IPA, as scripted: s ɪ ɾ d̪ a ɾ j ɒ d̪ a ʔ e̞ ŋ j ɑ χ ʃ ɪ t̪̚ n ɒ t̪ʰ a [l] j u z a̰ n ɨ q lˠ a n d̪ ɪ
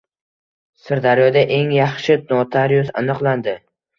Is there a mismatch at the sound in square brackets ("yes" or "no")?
yes